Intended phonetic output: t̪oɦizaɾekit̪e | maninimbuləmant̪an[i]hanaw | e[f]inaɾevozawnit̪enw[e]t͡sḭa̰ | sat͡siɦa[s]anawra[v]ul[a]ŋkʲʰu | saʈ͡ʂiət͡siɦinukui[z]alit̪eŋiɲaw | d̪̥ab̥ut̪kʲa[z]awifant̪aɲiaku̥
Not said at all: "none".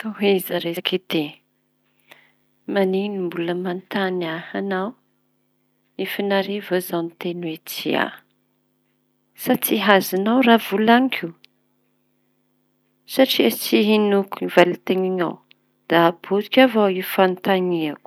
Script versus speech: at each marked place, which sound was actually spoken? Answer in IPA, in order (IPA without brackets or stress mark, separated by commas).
a, f, e, z, v, a, v, v